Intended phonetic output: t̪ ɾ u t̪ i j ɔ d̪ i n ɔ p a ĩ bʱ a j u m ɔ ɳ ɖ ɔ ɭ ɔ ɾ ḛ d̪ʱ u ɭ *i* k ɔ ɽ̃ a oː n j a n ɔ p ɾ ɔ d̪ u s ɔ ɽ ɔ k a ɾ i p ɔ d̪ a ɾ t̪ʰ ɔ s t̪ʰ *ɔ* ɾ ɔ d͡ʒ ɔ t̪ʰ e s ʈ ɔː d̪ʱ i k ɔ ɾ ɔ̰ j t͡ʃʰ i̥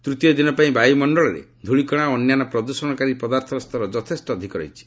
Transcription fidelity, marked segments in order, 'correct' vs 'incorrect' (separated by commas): correct, correct